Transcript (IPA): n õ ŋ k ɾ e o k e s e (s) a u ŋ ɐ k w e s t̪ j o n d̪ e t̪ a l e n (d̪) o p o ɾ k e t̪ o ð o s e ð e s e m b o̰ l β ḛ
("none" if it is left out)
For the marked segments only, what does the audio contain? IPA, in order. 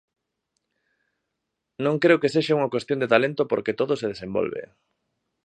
ʃ, t̪

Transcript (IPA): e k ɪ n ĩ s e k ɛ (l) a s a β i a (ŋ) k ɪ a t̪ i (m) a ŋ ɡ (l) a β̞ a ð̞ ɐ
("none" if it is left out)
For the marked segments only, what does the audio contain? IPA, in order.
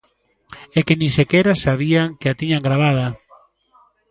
ɾ, ŋ, ɲ, ɾ

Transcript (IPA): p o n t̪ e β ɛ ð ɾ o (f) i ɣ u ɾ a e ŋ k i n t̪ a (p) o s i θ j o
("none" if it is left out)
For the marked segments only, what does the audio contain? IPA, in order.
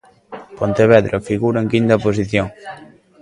f, p

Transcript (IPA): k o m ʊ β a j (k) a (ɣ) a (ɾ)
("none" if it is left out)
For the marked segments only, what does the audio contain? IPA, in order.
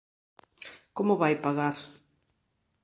p, ɣ, ɾ

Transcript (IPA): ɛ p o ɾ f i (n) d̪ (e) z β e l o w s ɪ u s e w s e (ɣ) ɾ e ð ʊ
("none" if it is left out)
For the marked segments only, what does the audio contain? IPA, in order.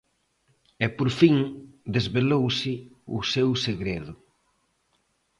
ŋ, e, ɣ

